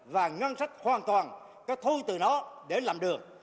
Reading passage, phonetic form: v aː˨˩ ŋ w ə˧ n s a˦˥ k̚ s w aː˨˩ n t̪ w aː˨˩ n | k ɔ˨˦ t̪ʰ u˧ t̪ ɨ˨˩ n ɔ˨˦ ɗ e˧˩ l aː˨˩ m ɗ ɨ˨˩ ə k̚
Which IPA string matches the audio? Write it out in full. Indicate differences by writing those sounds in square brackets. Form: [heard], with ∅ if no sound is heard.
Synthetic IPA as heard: v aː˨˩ ŋ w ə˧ n s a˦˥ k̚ [h] w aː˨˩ n t̪ w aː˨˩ n | k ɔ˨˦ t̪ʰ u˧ t̪ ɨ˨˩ n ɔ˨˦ ɗ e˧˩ l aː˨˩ m ɗ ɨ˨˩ ə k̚